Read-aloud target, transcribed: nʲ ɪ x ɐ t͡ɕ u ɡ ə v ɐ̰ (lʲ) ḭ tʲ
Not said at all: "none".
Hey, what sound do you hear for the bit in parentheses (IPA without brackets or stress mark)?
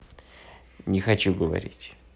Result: ɾʲ